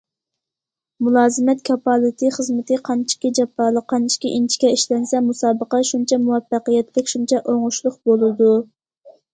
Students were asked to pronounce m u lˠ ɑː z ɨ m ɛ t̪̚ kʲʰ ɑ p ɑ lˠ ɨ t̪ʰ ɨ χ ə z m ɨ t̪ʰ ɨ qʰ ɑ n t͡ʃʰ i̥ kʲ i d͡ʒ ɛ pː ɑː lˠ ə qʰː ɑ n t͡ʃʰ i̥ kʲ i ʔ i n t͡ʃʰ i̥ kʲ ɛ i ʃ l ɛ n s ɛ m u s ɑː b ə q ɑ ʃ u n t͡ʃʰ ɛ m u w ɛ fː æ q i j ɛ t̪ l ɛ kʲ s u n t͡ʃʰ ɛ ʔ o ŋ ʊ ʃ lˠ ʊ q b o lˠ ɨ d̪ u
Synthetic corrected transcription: m u lˠ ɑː z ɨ m ɛ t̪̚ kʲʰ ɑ p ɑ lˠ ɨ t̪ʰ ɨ χ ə z m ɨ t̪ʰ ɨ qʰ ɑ n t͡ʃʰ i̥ kʲ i d͡ʒ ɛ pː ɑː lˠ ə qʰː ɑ n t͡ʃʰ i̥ kʲ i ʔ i n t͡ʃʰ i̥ kʲ ɛ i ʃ l ɛ n s ɛ m u s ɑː b ə q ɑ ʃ u n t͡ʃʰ ɛ m u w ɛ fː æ q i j ɛ t̪ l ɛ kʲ ʃ u n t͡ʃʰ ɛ ʔ o ŋ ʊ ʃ lˠ ʊ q b o lˠ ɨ d̪ u

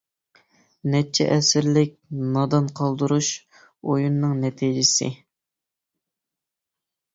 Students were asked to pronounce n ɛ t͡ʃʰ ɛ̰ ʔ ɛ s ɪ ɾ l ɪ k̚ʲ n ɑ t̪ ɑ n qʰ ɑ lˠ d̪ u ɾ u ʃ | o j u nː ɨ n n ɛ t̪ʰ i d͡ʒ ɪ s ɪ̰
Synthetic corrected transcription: n ɛ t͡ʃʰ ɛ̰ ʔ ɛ s ɪ ɾ l ɪ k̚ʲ n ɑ d̪ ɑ n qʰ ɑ lˠ d̪ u ɾ u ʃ | o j u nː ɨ ŋ n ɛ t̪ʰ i d͡ʒ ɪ s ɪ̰

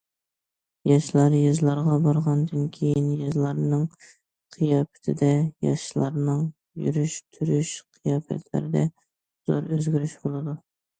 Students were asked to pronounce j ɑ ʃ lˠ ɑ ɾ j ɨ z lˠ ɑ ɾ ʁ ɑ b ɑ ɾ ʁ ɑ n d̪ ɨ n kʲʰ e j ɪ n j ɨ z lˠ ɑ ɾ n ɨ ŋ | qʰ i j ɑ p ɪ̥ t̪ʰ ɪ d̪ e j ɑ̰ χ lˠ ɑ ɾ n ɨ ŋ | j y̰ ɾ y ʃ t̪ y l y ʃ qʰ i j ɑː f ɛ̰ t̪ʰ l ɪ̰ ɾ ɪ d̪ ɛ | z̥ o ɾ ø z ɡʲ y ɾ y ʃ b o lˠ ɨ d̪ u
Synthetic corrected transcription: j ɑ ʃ lˠ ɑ ɾ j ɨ z lˠ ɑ ɾ ʁ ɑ b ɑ ɾ ʁ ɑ n d̪ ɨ n kʲʰ e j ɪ n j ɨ z lˠ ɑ ɾ n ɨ ŋ | qʰ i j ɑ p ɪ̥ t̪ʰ ɪ d̪ ɛ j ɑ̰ ʃ lˠ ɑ ɾ n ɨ ŋ | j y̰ ɾ y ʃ t̪ʰ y ɾ y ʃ qʰ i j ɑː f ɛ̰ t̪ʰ l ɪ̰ ɾ ɪ d̪ ɛ | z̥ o ɾ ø z ɡʲ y ɾ y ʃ b o lˠ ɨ d̪ u

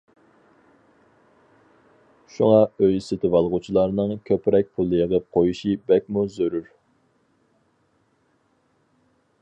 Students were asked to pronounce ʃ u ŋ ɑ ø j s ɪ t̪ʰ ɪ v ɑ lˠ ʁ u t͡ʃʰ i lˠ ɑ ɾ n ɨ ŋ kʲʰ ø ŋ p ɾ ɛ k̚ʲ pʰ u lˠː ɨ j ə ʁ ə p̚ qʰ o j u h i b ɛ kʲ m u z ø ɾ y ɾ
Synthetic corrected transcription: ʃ u ŋ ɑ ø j s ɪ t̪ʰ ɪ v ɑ lˠ ʁ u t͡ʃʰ i lˠ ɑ ɾ n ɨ ŋ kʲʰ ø p ɾ ɛ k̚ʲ pʰ u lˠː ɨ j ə ʁ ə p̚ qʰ o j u ʃ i b ɛ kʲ m u z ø ɾ y ɾ

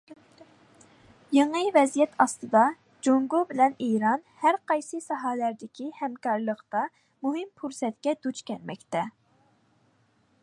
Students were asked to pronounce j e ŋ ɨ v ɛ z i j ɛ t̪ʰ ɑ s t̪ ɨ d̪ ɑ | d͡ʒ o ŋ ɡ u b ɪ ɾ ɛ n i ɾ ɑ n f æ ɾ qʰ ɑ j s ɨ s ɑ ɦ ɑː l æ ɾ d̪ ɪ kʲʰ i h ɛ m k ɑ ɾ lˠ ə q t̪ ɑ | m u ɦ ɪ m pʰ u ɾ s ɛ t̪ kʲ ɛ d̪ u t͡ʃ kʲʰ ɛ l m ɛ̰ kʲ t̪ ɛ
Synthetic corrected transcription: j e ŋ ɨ v ɛ z i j ɛ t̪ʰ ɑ s t̪ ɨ d̪ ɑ | d͡ʒ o ŋ ɡ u b ɪ l ɛ n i ɾ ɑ n h æ ɾ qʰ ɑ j s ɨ s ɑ ɦ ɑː l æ ɾ d̪ ɪ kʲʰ i h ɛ m k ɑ ɾ lˠ ə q t̪ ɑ | m u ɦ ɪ m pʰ u ɾ s ɛ t̪ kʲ ɛ d̪ u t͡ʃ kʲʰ ɛ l m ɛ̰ kʲ t̪ ɛ

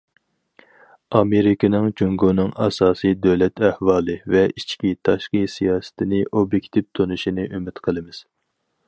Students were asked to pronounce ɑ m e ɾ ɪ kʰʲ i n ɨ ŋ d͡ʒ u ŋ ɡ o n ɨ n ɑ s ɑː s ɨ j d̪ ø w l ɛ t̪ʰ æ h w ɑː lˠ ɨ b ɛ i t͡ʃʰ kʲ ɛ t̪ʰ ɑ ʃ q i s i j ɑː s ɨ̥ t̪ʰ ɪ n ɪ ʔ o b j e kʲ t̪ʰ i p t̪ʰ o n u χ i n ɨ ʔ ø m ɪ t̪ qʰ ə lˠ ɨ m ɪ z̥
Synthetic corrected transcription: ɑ m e ɾ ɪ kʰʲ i n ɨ ŋ d͡ʒ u ŋ ɡ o n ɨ ŋ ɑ s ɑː s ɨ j d̪ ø w l ɛ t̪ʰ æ h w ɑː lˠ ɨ v ɛ i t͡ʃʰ kʲ i t̪ʰ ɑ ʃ q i s i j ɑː s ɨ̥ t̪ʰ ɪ n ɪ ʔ o b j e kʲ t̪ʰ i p t̪ʰ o n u ʃ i n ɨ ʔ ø m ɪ t̪ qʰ ə lˠ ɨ m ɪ z̥

